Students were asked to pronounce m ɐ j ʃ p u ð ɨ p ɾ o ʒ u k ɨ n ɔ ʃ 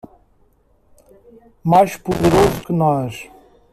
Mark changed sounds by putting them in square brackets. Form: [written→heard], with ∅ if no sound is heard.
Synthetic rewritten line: m [ɐ→a] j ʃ p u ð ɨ [p→∅] ɾ o [ʒ→z] u k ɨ n ɔ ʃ